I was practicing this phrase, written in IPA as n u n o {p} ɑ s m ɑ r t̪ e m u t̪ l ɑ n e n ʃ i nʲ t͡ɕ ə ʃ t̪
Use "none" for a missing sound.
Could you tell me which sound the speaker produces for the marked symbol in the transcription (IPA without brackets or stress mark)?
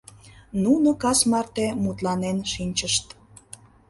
k